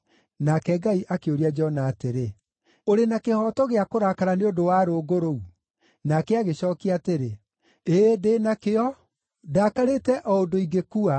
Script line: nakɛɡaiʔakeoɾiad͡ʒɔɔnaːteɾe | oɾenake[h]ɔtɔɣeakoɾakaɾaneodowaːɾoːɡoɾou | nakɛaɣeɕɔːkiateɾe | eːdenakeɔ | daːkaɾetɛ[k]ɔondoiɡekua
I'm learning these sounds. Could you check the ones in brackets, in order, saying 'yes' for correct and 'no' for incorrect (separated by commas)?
yes, no